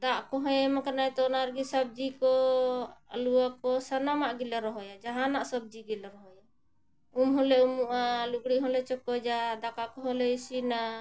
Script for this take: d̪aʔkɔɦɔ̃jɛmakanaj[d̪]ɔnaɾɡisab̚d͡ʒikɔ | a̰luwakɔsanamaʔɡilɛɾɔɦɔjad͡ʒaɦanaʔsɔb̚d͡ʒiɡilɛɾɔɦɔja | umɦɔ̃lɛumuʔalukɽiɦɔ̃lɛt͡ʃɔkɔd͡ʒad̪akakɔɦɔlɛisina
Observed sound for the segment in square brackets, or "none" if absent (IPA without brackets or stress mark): t̪